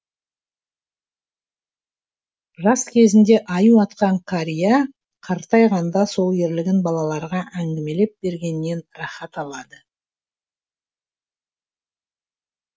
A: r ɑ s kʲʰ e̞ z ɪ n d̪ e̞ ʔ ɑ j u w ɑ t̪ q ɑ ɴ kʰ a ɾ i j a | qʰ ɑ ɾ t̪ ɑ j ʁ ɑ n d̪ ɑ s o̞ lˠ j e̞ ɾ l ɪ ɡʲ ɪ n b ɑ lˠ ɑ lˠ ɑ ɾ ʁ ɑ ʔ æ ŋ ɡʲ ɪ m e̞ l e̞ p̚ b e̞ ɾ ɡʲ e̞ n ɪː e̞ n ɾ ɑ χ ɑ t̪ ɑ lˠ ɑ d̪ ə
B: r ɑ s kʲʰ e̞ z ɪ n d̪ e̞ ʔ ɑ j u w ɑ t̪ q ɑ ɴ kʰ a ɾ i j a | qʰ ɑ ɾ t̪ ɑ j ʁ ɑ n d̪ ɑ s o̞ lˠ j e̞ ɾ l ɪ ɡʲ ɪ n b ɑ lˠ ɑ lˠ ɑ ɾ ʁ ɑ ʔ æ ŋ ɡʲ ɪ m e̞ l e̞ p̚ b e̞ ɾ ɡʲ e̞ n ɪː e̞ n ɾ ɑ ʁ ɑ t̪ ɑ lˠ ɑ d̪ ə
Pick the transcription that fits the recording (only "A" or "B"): A